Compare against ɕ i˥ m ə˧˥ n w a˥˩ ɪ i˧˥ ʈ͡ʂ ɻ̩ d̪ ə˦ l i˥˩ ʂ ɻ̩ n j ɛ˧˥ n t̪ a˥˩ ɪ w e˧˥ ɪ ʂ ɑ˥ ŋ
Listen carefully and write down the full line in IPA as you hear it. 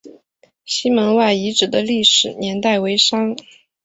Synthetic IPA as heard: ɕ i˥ m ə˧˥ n w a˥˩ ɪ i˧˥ ʈ͡ʂ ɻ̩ d̪ ə˦ l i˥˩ ʂ ɻ̩ n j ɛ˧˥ n t̪ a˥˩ ɪ w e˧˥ ɪ ʂ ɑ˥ ŋ